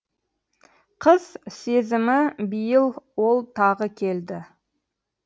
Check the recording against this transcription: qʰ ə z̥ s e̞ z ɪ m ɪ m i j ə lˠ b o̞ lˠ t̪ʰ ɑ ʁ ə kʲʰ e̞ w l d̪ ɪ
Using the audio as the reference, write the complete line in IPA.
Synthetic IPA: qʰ ə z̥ s e̞ z ɪ m ɪ b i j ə lˠ w o̞ lˠ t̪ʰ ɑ ʁ ə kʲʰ e̞ l d̪ ɪ